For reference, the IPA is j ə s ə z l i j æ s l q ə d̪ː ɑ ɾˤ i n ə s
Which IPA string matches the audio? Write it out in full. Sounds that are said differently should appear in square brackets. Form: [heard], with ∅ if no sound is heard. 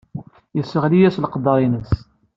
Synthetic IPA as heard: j ə s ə [ʁ] l i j æ s l q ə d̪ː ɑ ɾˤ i n ə s